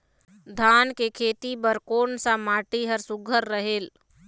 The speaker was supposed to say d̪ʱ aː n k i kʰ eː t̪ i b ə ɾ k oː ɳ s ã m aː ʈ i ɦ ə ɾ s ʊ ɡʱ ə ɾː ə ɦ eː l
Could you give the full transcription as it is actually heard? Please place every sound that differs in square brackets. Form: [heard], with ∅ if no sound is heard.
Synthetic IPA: d̪ʱ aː n k [e] kʰ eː t̪ i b ə ɾ k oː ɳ s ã m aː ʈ i ɦ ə ɾ s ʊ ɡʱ ə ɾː ə ɦ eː l